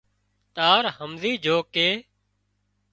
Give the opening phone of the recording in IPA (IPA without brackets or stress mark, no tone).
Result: t̪